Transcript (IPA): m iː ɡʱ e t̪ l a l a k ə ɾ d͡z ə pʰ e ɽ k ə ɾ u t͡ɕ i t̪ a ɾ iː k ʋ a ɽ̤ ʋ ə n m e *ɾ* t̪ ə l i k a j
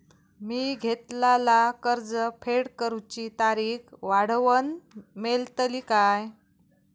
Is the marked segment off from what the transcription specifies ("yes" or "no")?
yes